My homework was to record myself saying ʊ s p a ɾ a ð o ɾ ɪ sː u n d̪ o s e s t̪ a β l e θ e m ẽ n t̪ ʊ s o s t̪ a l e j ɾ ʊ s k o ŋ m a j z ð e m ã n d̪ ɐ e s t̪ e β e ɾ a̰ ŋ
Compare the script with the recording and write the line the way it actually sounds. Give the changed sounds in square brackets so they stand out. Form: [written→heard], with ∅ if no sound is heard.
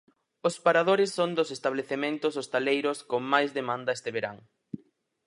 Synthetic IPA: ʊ s p a ɾ a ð o ɾ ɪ sː [u→o] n d̪ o s e s t̪ a β l e θ e m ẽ n t̪ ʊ s o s t̪ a l e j ɾ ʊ s k o ŋ m a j z ð e m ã n d̪ ɐ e s t̪ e β e ɾ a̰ ŋ